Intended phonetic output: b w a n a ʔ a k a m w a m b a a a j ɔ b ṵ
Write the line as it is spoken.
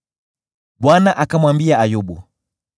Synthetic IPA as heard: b w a n a ʔ a k a m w a m b i a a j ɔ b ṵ